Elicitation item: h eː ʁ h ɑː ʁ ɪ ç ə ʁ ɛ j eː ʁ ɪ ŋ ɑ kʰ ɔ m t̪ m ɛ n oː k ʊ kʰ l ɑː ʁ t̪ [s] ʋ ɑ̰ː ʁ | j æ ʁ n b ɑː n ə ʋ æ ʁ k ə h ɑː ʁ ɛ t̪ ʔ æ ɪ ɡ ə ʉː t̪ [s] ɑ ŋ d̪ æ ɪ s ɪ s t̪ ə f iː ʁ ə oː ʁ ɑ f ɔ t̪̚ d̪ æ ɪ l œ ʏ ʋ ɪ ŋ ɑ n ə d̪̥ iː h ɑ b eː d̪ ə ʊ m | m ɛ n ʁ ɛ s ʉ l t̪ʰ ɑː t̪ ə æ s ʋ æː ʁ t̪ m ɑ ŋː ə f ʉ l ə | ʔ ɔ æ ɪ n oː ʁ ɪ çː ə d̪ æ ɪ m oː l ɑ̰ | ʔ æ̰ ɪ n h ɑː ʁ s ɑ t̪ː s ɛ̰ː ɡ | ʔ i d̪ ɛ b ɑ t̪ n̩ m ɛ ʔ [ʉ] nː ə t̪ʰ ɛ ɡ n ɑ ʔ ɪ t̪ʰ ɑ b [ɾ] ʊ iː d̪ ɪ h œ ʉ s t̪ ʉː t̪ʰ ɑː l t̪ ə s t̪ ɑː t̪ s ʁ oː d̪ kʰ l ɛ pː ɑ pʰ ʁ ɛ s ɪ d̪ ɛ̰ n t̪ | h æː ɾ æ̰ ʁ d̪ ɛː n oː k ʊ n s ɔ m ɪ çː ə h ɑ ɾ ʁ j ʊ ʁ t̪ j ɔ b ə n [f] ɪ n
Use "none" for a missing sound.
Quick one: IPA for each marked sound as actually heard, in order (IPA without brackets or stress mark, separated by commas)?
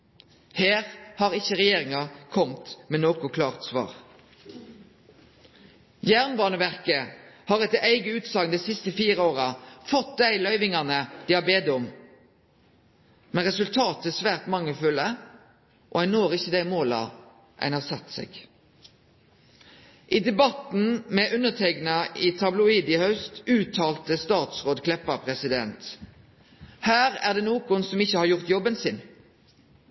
s, s, ʉ, l, s